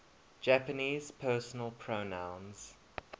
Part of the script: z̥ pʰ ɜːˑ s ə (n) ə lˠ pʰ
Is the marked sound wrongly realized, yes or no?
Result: no